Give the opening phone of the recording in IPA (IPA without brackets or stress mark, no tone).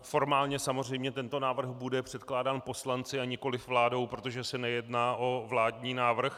f